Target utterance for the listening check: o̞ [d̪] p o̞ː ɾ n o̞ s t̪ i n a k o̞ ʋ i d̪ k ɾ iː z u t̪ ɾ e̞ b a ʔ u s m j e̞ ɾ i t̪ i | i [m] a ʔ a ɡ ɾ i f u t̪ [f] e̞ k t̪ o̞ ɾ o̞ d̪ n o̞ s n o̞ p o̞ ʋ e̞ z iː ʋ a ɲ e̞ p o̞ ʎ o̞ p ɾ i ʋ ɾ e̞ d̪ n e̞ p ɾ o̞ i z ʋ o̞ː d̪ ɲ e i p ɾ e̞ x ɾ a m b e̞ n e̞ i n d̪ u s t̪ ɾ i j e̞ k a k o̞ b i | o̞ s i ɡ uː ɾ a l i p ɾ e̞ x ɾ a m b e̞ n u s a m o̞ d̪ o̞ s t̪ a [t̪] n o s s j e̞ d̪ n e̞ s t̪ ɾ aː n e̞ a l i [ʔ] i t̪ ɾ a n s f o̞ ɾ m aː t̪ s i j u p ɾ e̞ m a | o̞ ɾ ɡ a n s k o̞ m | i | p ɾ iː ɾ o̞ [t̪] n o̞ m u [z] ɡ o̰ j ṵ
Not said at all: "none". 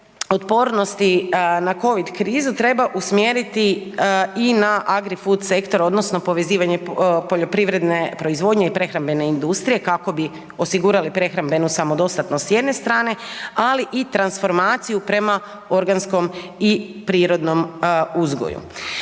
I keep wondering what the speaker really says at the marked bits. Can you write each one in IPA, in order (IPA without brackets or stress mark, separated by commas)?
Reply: t̪, n, s, t̪, ʔ, d̪, z